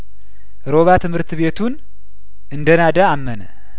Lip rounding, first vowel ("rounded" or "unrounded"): rounded